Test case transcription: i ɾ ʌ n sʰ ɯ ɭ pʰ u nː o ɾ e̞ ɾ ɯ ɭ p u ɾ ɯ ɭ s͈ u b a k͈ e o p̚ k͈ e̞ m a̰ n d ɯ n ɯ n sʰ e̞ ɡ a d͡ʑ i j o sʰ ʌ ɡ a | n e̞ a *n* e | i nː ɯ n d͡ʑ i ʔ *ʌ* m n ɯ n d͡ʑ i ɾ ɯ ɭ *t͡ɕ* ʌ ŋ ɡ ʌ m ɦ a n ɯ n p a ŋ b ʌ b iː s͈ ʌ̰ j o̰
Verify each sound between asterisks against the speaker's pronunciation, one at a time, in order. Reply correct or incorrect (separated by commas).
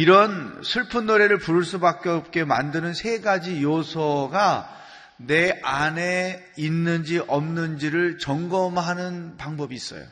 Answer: correct, correct, correct